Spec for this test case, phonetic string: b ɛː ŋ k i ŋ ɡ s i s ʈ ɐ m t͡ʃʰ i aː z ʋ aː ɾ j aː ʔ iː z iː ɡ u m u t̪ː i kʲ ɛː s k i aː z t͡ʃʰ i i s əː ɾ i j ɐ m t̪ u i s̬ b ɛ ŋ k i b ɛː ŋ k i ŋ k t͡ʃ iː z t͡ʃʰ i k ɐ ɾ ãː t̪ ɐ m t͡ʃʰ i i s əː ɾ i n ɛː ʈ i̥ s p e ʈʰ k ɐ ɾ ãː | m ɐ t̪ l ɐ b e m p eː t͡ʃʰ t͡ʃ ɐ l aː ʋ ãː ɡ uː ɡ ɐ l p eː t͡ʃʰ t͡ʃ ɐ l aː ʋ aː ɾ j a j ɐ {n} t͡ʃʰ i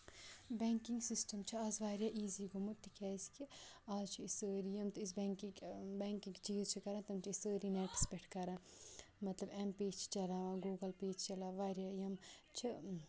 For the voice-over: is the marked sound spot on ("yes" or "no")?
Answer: no